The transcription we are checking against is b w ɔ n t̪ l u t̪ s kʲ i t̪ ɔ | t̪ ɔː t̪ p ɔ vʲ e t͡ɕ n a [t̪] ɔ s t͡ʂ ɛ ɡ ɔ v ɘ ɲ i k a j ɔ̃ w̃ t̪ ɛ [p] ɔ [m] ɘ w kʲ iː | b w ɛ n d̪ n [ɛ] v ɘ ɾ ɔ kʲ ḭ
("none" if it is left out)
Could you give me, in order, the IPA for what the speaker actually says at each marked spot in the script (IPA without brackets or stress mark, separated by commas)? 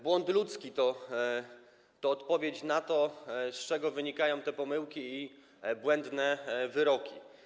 t̪, p, m, ɛ